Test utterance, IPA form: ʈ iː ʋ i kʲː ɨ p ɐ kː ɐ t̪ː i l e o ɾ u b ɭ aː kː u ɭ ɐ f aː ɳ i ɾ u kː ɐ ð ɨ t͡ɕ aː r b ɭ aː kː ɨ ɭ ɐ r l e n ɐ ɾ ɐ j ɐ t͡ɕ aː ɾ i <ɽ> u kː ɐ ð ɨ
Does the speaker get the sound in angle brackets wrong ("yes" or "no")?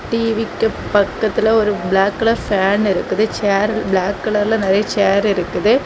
yes